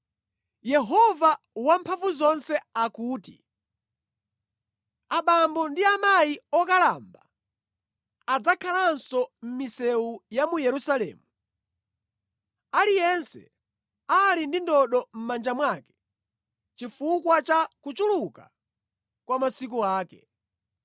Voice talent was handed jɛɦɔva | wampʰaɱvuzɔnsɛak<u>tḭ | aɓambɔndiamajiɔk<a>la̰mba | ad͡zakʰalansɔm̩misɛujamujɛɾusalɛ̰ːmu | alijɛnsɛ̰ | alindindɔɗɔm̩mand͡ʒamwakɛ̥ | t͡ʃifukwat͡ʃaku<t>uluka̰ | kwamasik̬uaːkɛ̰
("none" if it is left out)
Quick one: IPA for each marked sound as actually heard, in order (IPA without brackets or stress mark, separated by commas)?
uː, a, t͡ʃ